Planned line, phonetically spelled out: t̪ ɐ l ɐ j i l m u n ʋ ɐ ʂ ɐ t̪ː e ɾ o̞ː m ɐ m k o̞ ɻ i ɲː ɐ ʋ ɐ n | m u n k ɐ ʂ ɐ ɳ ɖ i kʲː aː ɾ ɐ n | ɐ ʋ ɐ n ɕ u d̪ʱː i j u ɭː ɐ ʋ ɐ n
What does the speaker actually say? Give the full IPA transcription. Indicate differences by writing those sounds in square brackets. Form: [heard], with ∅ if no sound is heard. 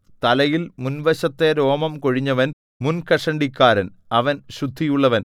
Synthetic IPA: t̪ ɐ l ɐ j i l m u n ʋ ɐ [ɕ] ɐ t̪ː e ɾ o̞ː m ɐ m k o̞ ɻ i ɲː ɐ ʋ ɐ n | m u n k ɐ ʂ ɐ ɳ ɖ i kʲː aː ɾ ɐ n | ɐ ʋ ɐ n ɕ u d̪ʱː i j u ɭː ɐ ʋ ɐ n